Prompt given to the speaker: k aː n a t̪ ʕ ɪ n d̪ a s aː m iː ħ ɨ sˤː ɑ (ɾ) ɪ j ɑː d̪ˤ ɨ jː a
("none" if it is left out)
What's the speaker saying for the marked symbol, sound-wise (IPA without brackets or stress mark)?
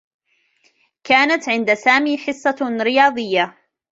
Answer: ɾ